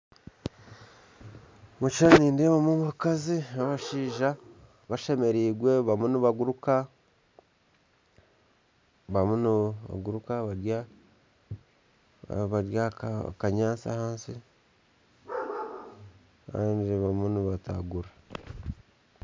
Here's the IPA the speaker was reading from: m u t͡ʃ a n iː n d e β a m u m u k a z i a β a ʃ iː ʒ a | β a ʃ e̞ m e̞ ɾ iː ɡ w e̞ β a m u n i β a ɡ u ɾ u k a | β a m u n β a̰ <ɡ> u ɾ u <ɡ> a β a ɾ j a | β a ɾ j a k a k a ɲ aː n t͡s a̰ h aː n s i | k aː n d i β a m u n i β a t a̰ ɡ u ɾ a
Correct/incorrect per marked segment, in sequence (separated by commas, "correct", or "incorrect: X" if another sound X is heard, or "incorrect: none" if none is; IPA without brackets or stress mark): correct, incorrect: k